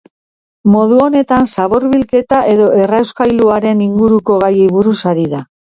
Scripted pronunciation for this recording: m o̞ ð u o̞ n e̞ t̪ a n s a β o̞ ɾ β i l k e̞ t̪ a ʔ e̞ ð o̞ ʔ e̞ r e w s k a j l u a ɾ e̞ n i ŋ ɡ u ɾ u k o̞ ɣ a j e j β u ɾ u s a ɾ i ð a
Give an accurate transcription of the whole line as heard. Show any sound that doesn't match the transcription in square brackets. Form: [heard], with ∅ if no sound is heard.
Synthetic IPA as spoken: m o̞ ð u o̞ n e̞ t̪ a n s a β o̞ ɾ β i l k e̞ t̪ a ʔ e̞ ð o̞ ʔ e̞ r [a] w s k a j l u a ɾ e̞ n i ŋ ɡ u ɾ u k o̞ ɣ a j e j β u ɾ u s a ɾ i ð a